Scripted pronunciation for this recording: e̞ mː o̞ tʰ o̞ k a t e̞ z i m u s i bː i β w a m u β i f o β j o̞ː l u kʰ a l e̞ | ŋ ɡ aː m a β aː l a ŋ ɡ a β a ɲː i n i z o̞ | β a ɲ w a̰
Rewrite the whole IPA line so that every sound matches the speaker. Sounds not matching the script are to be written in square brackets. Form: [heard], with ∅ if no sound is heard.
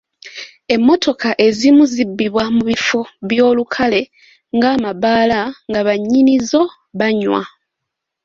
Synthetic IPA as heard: e̞ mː o̞ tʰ o̞ k a [ʔ] e̞ z i m u [z] i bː i β w a m u β i f o β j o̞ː l u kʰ a l e̞ | ŋ ɡ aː m a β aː l a ŋ ɡ a β a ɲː i n i z o̞ | β a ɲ w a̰